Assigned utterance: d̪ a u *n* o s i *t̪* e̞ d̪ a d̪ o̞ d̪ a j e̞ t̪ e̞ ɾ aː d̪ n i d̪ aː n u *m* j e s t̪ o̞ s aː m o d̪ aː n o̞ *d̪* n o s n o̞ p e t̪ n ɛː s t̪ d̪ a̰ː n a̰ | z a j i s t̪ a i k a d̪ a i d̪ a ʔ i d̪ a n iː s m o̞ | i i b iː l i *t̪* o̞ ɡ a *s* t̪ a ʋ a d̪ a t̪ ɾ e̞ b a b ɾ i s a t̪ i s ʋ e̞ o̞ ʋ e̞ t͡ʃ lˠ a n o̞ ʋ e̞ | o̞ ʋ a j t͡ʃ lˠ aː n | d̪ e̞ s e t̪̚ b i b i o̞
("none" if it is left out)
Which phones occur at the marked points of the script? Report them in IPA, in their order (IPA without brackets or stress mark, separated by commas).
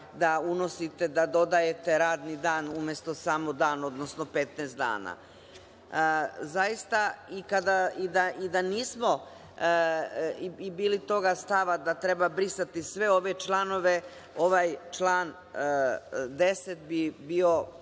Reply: n, t̪, m, d̪, t̪, s